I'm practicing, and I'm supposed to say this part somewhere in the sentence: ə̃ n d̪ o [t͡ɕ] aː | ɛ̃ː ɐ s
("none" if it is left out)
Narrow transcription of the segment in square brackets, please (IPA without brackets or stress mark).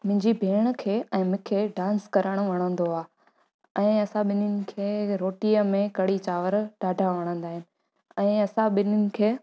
none